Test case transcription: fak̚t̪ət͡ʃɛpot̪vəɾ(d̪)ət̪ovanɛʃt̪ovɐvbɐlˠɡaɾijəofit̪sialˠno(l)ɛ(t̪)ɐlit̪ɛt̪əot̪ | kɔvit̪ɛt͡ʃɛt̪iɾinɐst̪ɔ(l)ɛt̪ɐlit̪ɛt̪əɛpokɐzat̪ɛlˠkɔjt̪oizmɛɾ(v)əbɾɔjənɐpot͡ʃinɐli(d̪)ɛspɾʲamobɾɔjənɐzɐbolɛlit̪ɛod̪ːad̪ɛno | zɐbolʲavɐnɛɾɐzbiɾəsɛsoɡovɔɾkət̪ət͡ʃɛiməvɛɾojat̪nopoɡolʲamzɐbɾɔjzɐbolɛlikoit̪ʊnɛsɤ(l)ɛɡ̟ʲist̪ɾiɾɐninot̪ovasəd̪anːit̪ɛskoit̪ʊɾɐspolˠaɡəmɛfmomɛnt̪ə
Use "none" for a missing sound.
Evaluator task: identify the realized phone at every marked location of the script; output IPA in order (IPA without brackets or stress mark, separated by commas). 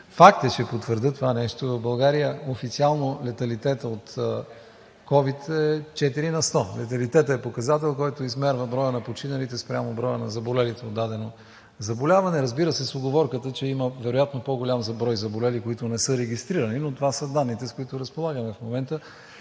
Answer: d̪, l, t̪, l, v, t̪, ɾ